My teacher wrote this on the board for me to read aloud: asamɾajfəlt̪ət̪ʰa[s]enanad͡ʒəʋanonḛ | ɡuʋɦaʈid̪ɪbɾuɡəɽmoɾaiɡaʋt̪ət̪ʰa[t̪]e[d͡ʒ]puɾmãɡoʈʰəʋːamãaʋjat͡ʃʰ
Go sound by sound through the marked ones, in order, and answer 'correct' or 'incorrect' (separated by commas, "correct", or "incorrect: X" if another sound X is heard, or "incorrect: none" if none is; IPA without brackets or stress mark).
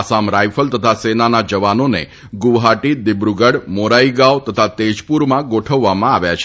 correct, correct, correct